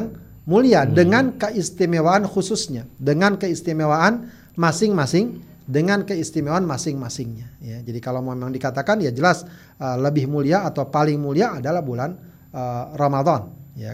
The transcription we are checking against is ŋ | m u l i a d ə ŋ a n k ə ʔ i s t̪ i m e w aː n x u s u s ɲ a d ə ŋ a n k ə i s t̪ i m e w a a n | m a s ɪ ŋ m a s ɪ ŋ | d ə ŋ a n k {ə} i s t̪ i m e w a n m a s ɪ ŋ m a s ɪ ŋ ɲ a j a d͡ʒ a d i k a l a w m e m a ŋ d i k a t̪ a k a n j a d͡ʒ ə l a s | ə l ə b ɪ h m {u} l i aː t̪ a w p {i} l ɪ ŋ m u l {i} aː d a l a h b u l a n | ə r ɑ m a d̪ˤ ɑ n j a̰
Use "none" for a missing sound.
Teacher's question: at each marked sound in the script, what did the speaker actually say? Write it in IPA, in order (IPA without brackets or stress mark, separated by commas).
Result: ə, u, a, i